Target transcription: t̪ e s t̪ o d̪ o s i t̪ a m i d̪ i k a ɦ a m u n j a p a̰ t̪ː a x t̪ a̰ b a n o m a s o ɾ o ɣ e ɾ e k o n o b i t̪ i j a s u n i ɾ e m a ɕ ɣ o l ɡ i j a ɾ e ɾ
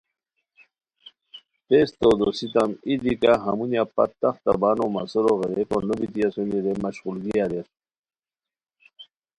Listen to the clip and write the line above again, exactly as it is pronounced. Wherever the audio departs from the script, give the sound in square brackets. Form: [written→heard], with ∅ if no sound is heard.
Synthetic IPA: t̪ e s t̪ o d̪ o s i t̪ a m i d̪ i k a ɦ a m u n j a p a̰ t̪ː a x t̪ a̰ b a n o m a s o ɾ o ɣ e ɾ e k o n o b i t̪ i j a s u n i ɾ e m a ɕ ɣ [o→u] l ɡ i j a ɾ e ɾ